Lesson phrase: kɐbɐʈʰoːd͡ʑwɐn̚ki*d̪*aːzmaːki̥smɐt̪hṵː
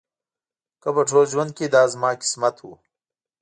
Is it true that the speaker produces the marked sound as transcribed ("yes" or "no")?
yes